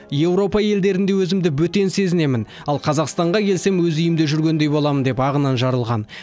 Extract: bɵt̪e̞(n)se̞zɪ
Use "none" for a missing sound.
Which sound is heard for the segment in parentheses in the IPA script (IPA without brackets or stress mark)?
n